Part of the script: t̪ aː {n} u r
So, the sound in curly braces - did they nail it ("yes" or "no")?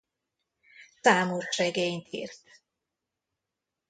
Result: no